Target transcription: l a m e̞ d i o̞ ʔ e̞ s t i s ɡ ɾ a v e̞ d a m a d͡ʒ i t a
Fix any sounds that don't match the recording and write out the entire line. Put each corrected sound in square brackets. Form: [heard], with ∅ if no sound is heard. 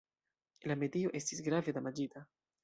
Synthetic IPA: l a m e̞ d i o̞ ʔ e̞ s t i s ɡ ɾ a v e̞ d a m a d͡ʒ i t a